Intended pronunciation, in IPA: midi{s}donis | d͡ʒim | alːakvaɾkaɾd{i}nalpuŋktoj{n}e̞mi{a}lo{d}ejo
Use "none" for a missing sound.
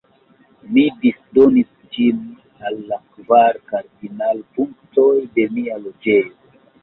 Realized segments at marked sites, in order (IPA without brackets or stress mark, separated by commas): s, i, d, a, d͡ʒ